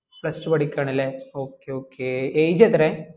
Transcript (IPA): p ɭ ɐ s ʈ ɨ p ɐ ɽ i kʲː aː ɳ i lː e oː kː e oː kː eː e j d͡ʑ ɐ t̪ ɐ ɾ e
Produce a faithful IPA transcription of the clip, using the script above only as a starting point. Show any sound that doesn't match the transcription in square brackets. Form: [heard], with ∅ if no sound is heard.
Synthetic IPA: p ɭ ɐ s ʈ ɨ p ɐ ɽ i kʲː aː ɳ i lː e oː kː e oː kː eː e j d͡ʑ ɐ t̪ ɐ ɾ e